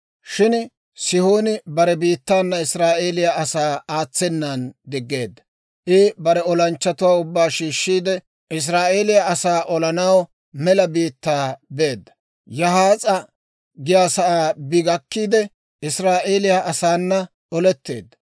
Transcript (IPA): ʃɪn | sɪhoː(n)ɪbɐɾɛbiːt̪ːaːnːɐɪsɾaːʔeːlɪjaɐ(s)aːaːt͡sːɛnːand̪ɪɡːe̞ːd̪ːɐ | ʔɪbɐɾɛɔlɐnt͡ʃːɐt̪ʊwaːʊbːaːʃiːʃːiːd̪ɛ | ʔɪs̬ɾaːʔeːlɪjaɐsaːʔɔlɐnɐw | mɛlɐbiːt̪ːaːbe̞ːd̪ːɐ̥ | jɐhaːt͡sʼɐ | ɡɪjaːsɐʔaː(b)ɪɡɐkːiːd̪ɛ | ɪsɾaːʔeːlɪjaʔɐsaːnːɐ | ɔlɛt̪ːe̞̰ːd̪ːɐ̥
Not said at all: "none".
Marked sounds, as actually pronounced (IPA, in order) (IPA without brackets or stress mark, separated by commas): n, s, b